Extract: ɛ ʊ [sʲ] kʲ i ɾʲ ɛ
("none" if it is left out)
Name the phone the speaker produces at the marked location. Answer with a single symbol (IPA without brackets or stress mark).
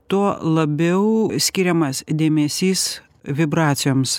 sʲ